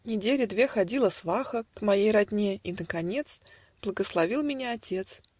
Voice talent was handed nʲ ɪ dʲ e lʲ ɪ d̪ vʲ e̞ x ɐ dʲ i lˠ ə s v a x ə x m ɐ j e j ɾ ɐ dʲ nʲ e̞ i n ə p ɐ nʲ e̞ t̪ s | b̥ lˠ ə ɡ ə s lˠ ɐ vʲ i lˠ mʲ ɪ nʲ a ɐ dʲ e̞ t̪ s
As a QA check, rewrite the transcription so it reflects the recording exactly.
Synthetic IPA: nʲ ɪ dʲ e lʲ ɪ d̪ vʲ e̞ x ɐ dʲ i lˠ ə s v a x ə k m ɐ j e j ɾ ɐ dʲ nʲ e̞ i n ə k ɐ nʲ e̞ t̪ s | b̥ lˠ ə ɡ ə s lˠ ɐ vʲ i lˠ mʲ ɪ nʲ a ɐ tʲ e̞ t̪ s